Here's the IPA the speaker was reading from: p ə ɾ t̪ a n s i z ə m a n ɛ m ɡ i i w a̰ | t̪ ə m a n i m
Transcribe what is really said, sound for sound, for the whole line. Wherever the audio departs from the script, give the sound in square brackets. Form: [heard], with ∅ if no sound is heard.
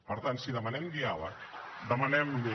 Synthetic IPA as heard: p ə ɾ t̪ a n s i [ð] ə m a n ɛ m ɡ i [a] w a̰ | [d̪] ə m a n [ɛ] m